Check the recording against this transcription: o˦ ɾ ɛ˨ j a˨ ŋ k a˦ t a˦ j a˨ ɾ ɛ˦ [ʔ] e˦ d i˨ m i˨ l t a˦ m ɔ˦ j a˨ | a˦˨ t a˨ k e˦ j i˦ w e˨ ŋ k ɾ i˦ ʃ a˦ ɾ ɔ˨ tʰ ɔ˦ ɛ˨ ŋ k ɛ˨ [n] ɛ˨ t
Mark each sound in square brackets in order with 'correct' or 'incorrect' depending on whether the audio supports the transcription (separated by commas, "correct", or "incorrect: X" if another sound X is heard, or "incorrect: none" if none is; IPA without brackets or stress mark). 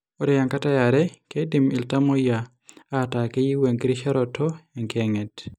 incorrect: k, incorrect: ŋ